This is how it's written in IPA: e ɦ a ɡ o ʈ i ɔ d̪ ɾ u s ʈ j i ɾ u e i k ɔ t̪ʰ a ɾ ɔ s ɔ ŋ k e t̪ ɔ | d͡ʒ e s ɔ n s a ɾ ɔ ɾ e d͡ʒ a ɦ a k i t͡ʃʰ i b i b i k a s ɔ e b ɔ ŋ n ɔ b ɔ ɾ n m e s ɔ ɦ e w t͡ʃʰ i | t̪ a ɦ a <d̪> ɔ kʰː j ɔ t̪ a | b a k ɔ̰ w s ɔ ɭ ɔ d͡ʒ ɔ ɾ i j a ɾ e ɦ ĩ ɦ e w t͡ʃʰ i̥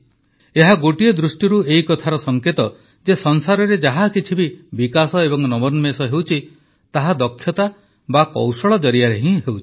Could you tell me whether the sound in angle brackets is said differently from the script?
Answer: no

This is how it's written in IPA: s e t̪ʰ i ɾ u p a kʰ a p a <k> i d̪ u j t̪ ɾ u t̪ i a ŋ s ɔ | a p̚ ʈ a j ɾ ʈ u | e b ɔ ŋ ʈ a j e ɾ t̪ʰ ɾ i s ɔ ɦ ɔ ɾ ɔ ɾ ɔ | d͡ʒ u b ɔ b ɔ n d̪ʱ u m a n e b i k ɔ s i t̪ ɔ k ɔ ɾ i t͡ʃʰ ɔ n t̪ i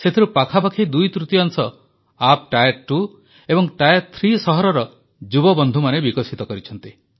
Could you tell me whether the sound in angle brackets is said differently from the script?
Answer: yes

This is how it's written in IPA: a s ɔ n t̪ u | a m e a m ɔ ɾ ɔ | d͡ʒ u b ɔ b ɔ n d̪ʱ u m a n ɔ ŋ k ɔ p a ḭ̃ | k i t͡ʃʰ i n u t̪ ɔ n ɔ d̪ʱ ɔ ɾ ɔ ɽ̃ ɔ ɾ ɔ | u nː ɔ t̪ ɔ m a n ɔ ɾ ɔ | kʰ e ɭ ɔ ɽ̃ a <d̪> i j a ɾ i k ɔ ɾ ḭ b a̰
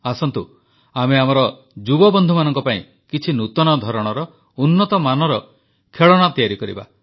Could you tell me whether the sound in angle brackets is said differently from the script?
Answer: yes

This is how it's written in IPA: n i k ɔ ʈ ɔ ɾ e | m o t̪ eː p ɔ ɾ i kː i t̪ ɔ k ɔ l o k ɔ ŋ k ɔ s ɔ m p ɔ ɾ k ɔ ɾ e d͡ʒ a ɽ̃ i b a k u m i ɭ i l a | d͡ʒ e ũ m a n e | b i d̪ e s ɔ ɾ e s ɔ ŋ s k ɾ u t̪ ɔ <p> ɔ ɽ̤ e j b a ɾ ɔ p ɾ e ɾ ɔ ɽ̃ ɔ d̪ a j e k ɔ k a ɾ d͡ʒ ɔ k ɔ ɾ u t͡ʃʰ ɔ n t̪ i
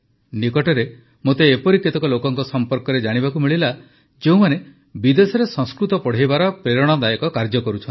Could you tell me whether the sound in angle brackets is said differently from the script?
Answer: no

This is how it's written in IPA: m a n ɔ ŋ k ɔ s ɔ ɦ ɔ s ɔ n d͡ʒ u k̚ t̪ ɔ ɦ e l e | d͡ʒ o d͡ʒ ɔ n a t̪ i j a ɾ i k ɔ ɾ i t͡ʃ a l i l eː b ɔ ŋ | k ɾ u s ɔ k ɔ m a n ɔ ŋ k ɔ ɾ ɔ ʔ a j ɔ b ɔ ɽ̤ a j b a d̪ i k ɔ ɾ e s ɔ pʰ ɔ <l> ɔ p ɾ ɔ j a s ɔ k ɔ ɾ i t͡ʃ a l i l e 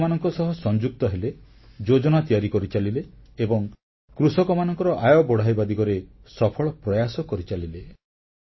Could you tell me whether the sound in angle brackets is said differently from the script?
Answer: yes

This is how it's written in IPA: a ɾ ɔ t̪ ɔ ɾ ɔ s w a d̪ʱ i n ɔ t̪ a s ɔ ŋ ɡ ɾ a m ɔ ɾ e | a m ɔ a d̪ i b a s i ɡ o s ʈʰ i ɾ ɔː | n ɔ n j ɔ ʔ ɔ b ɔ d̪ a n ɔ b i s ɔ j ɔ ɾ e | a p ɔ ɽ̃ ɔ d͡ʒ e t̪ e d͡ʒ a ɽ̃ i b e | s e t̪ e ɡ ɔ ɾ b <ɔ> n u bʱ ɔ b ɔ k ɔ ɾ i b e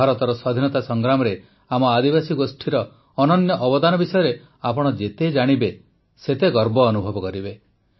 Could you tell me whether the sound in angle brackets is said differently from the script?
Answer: yes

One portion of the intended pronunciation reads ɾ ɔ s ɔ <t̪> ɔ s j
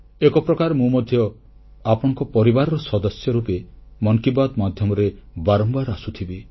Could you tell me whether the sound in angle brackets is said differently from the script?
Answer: yes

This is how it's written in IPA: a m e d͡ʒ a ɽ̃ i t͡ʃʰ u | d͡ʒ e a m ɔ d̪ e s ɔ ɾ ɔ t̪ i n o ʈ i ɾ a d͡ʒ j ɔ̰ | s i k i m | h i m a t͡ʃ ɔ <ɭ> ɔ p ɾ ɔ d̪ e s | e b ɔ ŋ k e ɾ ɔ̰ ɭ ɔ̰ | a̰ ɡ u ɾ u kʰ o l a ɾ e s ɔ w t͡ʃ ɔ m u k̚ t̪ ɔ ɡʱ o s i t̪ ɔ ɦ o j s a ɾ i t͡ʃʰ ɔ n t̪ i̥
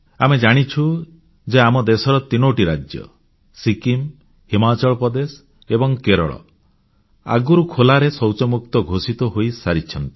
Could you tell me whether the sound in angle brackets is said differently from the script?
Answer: no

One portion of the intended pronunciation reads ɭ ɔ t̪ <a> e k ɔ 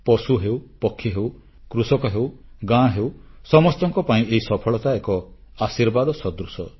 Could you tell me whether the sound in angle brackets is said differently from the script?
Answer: no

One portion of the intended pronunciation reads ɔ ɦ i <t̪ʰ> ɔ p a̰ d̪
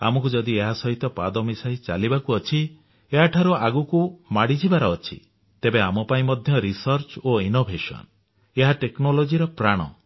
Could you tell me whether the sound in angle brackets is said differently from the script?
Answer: yes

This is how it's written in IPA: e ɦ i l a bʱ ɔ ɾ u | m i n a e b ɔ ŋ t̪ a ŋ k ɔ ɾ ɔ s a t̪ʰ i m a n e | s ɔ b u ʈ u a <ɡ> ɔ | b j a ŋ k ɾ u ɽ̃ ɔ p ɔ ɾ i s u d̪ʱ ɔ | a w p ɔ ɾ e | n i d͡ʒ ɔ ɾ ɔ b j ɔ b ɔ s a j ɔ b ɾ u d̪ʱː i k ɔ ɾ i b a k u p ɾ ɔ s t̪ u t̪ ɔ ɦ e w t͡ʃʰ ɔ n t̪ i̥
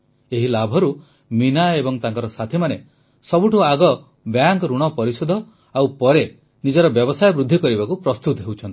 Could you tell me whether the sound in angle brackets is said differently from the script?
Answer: no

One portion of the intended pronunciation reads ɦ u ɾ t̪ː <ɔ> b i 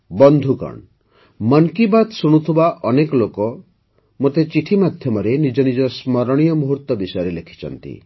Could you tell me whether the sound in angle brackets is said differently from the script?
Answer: no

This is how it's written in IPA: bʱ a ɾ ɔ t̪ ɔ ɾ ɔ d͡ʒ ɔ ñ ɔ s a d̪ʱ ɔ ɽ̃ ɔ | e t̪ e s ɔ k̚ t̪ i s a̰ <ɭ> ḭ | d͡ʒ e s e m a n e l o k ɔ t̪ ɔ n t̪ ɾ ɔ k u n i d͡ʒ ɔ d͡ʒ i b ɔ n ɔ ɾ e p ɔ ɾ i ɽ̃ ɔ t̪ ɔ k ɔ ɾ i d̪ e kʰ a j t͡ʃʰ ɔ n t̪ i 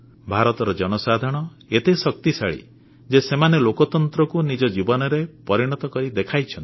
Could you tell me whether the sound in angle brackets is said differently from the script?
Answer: no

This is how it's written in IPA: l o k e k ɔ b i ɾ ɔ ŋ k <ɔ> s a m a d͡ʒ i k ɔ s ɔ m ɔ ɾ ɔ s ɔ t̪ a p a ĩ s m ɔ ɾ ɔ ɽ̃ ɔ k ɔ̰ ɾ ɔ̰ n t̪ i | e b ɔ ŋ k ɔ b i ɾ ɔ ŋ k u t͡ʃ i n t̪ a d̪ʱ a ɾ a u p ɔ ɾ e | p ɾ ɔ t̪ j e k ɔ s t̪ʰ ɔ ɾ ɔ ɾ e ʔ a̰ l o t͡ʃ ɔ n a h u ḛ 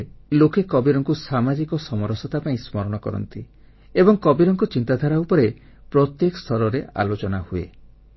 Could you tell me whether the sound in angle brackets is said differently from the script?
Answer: yes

